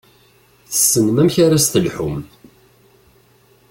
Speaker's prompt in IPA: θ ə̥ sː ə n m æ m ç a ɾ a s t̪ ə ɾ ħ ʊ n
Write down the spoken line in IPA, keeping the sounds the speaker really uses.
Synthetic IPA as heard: θ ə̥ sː ə n m æ m ç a ɾ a s t̪ ə l ħ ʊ m